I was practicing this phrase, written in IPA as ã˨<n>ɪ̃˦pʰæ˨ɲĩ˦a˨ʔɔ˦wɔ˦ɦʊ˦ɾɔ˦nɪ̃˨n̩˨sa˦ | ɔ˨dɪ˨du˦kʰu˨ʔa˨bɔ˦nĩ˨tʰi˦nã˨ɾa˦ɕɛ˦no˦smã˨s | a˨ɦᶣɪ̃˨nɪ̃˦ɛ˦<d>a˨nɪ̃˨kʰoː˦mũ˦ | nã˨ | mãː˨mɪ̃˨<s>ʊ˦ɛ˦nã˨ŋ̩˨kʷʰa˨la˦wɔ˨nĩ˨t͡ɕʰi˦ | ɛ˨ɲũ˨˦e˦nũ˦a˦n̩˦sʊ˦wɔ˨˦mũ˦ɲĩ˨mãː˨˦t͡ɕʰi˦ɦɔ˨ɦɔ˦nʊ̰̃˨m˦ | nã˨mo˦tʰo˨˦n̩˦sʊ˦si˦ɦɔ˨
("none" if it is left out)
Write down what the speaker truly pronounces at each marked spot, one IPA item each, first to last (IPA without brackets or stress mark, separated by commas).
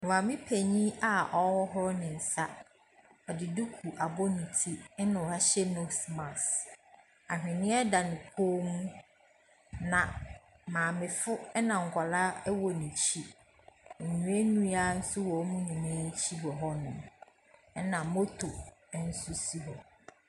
m, d, f